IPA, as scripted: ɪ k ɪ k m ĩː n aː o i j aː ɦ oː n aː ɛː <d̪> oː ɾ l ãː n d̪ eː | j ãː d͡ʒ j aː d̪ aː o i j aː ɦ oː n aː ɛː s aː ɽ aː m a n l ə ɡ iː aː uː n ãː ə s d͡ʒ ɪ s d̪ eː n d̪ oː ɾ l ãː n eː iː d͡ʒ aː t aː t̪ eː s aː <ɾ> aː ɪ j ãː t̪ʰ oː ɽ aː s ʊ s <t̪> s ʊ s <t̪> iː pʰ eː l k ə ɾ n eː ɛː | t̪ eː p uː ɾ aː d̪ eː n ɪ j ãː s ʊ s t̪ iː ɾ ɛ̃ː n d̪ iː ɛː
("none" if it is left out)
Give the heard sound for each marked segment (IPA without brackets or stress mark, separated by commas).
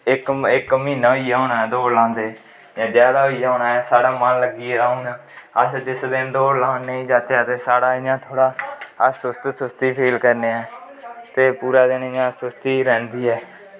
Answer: d̪, ɽ, t̪, t̪